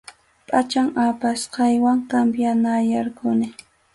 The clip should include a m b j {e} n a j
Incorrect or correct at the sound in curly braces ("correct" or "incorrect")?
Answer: incorrect